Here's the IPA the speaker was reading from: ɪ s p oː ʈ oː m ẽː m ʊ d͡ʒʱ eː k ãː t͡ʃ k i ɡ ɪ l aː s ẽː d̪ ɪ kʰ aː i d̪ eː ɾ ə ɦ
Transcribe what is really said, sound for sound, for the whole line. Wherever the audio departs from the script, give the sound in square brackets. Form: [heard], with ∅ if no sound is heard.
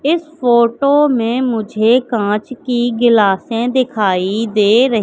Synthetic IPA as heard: ɪ s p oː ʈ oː m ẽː m ʊ d͡ʒʱ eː k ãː t͡ʃ k i ɡ ɪ l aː s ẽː d̪ ɪ kʰ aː i d̪ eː ɾ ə ɦ